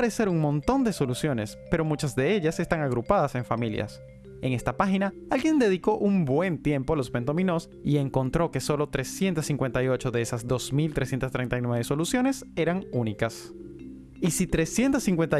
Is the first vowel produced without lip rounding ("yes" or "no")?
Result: yes